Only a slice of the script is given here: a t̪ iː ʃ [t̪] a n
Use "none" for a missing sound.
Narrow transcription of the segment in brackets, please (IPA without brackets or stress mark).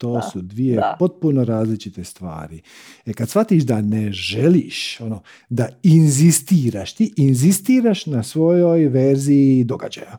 d̪